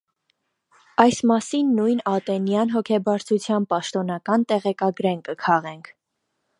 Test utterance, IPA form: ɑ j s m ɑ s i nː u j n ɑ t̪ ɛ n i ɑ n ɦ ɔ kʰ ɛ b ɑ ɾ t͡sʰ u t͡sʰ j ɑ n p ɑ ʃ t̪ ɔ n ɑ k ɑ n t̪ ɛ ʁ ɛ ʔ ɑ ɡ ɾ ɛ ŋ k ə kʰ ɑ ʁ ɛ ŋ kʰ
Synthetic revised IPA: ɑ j s m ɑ s i nː u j n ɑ t̪ ɛ n j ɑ n ɦ ɔ kʰ ɛ b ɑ ɾ t͡sʰ u t͡sʰ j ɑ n p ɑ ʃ t̪ ɔ n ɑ k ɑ n t̪ ɛ ʁ ɛ k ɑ ɡ ɾ ɛ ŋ k ə kʰ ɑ ʁ ɛ ŋ kʰ